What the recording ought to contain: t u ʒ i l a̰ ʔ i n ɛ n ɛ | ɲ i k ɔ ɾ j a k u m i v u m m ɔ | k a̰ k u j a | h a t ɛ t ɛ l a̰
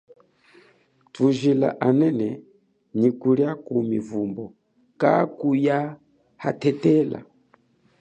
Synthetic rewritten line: t u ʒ i l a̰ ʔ a n ɛ n ɛ | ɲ i k u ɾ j a k u m i v u m b ɔ | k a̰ k u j a | h a t ɛ t ɛ l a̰

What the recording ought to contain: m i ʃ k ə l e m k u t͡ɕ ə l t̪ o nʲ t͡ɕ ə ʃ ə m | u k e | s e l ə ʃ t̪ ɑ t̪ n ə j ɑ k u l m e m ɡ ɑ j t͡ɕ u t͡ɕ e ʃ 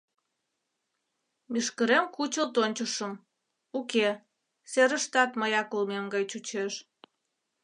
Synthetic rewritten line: m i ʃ k ə ɾ e m k u t͡ɕ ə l t̪ o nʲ t͡ɕ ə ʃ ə m | u k e | s e ɾ ə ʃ t̪ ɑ t̪ m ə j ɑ k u l m e m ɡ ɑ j t͡ɕ u t͡ɕ e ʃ

